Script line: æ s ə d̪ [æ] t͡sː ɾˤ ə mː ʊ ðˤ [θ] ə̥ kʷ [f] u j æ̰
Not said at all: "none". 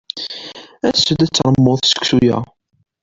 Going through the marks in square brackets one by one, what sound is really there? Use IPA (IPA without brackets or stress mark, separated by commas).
æ, s, s